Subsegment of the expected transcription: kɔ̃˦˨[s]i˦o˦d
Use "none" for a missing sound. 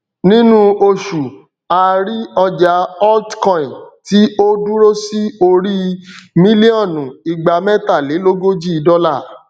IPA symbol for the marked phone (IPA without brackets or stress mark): t